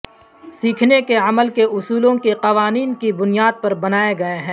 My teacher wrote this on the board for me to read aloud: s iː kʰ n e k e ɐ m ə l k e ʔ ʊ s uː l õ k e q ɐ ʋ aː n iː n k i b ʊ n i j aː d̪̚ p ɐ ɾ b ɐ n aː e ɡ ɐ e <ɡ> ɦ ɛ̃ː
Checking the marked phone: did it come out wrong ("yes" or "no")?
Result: yes